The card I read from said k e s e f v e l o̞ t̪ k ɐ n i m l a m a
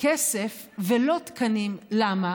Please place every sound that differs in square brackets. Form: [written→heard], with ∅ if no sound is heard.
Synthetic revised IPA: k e s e f v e l o̞ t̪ k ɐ n i m l a m a